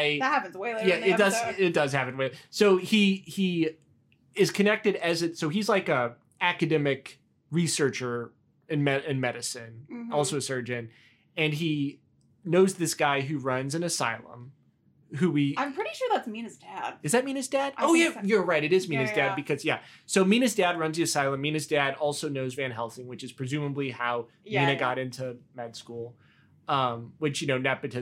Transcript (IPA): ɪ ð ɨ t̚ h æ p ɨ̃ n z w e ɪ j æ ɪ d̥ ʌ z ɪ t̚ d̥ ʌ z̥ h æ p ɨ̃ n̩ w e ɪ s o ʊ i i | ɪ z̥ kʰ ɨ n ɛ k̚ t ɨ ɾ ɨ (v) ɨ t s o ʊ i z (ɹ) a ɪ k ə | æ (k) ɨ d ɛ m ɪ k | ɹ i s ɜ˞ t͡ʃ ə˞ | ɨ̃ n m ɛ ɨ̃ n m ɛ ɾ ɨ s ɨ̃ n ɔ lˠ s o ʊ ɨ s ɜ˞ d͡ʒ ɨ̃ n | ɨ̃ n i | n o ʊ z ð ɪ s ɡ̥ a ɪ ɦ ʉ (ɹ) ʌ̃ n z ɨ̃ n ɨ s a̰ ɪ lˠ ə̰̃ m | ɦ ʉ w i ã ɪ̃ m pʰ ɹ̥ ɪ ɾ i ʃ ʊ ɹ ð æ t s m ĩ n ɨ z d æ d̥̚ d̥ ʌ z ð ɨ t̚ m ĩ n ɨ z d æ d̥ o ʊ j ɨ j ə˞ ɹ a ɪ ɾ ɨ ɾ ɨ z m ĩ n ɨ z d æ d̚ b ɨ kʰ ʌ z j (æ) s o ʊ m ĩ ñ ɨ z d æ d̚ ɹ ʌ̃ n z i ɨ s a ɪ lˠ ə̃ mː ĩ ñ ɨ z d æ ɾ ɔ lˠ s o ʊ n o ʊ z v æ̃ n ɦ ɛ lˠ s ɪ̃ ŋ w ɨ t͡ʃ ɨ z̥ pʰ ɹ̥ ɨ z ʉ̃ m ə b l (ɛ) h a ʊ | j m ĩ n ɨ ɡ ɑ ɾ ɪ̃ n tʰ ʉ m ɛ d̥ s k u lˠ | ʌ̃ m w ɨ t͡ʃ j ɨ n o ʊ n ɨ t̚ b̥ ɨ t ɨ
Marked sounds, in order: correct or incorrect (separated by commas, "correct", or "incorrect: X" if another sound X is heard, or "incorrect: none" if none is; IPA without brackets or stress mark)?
incorrect: z, incorrect: l, correct, correct, correct, incorrect: i